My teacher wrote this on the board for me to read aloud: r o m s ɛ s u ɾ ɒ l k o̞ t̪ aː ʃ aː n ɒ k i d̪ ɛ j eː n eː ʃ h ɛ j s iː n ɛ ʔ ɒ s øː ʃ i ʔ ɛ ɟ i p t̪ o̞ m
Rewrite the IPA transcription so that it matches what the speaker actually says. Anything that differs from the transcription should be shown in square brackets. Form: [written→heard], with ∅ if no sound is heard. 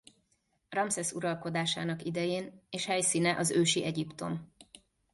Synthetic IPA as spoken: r [o→ɒ] m s ɛ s u ɾ ɒ l k o̞ [t̪→d̪] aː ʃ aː n ɒ k i d̪ ɛ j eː n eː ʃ h ɛ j s iː n ɛ ʔ ɒ [s→z] øː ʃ i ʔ ɛ ɟ i p t̪ o̞ m